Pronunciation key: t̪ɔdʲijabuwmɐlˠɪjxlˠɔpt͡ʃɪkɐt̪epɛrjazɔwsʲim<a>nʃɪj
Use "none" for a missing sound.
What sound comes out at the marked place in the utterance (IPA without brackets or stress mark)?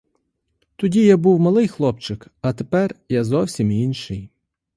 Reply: i